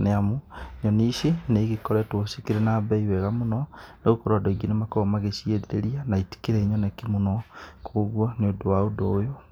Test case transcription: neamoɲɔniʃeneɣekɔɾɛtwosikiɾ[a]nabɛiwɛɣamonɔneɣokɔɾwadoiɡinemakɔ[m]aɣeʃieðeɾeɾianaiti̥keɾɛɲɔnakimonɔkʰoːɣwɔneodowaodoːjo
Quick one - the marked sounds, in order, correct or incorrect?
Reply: incorrect: e, correct

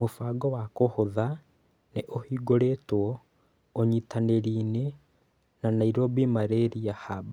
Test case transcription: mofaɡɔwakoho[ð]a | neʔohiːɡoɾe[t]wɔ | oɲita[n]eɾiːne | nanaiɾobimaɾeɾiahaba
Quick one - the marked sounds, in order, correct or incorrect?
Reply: correct, correct, correct

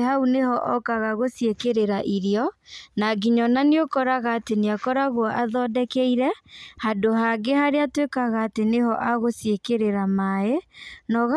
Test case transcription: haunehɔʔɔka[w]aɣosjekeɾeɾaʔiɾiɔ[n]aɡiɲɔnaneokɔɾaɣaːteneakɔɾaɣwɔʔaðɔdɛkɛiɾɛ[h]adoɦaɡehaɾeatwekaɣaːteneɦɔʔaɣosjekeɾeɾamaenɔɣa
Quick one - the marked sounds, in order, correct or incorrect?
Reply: incorrect: ɣ, correct, correct

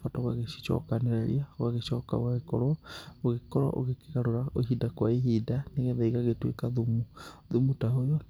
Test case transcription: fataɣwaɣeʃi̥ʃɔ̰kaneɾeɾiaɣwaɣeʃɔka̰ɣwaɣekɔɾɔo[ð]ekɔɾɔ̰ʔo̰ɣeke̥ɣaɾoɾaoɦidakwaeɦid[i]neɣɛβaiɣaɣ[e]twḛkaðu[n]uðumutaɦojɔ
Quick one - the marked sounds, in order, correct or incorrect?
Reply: incorrect: ɣ, incorrect: a, correct, incorrect: m

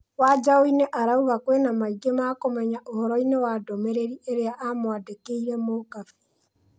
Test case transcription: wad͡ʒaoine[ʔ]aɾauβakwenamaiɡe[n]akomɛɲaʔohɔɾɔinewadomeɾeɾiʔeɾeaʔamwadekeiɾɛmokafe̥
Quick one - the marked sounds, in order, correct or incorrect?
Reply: correct, incorrect: m

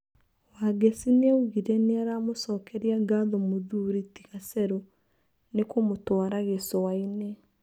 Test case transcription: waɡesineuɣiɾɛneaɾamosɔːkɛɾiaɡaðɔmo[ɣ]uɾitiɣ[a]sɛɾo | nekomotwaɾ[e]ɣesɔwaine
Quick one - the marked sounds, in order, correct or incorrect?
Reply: incorrect: ð, correct, incorrect: a

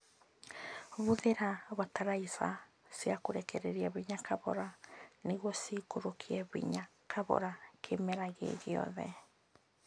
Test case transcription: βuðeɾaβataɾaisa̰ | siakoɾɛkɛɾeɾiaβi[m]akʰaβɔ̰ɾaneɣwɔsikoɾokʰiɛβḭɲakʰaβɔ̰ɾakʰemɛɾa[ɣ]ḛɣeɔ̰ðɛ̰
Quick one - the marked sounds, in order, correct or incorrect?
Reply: incorrect: ɲ, correct

